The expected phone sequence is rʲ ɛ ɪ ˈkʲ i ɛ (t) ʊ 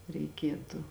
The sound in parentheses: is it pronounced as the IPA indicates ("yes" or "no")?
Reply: yes